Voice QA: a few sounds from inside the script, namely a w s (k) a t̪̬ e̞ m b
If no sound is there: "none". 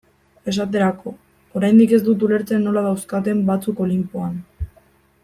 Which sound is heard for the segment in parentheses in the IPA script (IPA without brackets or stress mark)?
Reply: k